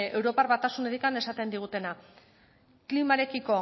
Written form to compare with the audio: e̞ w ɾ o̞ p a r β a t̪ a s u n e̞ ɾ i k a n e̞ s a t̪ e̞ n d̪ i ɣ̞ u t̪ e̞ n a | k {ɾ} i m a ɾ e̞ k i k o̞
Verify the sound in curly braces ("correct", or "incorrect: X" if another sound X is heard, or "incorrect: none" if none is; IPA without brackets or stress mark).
incorrect: l